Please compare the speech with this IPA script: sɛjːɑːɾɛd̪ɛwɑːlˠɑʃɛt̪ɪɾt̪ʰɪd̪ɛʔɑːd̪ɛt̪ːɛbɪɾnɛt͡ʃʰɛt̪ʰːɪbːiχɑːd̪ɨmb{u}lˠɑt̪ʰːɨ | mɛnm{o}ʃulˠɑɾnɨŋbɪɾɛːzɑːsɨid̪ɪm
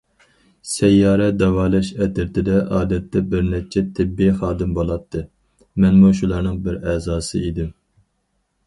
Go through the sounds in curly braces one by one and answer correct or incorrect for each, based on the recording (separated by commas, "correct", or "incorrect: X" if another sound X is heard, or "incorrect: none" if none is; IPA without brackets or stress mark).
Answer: incorrect: o, incorrect: u